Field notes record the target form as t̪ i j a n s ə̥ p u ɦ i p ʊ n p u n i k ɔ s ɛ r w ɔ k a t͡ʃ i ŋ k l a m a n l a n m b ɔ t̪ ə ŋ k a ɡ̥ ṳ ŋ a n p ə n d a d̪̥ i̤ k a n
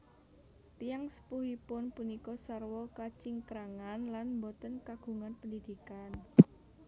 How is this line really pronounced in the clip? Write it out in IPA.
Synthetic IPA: t̪ i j a ŋ s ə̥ p u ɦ i p ʊ n p u n i k ɔ s a r w ɔ k a t͡ʃ i ŋ k ɾ a ŋ a n l a n m b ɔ t̪ ə n k a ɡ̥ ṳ ŋ a n p ə n d i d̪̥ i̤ k a n